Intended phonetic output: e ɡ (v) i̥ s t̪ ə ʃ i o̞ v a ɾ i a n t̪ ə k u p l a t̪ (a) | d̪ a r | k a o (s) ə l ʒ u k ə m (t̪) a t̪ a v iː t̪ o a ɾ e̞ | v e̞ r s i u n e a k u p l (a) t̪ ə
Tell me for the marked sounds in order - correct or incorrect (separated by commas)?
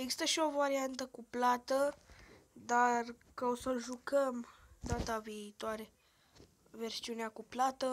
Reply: incorrect, incorrect, correct, incorrect, correct